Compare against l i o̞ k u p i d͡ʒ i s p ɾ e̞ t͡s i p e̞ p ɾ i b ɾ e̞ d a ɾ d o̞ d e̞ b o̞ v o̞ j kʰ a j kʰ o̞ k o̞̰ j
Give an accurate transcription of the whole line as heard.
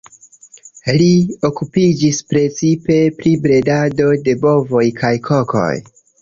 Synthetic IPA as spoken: l i o̞ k u p i d͡ʒ i s p ɾ e̞ t͡s i p e̞ p ɾ i b ɾ e̞ d a d o̞ d e̞ b o̞ v o̞ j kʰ a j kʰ o̞ k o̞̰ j